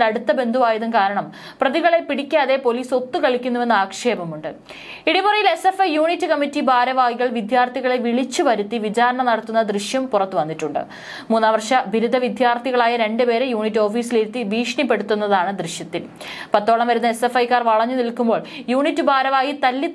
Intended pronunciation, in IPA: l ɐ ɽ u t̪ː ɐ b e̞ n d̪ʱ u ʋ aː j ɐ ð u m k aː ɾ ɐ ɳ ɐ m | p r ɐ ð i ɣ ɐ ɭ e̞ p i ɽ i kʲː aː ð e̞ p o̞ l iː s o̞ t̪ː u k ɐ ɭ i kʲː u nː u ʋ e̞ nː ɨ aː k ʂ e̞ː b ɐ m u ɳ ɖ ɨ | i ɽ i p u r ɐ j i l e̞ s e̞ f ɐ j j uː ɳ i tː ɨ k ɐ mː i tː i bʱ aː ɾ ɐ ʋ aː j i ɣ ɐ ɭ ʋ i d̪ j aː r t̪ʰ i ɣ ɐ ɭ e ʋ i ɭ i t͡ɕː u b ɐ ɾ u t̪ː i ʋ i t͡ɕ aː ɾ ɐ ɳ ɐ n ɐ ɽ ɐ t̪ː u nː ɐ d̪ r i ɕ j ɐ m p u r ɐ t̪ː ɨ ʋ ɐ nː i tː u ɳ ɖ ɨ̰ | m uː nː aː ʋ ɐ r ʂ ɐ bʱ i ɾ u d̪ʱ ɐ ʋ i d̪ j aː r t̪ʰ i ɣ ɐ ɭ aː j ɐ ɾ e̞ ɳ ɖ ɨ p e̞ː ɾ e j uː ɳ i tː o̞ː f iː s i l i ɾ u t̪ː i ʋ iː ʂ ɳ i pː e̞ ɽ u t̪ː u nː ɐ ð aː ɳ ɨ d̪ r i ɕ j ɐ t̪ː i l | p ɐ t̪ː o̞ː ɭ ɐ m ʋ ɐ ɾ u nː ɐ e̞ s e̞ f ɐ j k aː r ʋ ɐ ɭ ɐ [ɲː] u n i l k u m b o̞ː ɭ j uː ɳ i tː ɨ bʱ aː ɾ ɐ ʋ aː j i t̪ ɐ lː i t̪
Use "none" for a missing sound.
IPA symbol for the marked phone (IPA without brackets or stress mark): ɲː